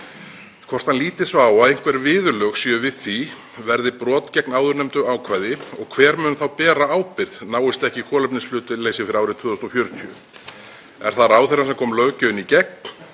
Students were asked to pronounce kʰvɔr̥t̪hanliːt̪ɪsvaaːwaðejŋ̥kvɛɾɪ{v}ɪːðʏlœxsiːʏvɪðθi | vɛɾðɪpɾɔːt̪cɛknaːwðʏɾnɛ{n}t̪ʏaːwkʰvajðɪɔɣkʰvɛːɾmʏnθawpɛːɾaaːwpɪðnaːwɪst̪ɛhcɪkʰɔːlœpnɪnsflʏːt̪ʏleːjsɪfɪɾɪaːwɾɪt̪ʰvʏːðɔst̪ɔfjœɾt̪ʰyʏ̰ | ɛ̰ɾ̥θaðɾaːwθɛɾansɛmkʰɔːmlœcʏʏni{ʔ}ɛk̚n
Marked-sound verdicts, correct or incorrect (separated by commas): correct, incorrect, incorrect